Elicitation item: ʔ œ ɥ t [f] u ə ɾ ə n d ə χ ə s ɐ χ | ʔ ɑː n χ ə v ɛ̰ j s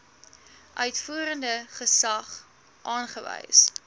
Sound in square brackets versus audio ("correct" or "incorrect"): correct